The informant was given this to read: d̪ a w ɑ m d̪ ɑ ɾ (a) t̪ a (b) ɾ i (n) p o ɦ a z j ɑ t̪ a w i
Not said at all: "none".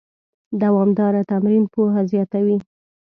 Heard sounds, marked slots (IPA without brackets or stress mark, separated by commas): a, m, n